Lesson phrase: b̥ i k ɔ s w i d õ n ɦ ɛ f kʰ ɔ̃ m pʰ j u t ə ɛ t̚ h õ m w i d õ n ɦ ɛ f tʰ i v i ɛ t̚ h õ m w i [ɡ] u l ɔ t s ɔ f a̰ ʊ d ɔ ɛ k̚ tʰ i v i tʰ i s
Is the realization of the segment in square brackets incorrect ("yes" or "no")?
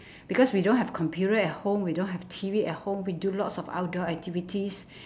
yes